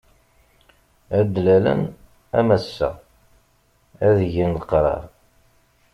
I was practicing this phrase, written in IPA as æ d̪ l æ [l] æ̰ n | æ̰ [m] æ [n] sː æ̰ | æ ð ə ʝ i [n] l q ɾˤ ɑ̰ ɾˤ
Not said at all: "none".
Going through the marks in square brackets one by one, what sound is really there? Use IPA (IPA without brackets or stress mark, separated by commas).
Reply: l, m, none, n